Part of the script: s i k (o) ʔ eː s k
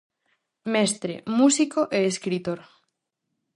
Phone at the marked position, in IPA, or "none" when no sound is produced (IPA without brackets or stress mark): o